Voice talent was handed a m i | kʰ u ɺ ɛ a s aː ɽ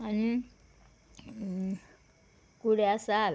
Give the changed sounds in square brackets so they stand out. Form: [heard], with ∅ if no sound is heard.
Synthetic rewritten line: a [n] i | [k] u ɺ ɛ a s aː [l]